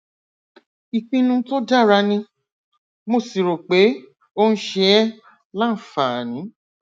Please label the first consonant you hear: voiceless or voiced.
voiceless